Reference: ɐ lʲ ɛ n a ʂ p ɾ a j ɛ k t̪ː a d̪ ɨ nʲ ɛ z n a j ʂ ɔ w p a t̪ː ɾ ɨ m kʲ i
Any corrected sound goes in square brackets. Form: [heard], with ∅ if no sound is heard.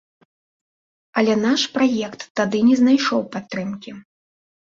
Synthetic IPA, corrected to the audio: ɐ lʲ ɛ n a ʂ p ɾ a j ɛ k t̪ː a d̪ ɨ nʲ ɛ z n a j ʂ ɔ w p a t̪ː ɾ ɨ m kʲ i